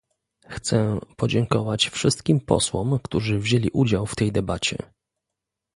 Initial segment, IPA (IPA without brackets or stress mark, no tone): x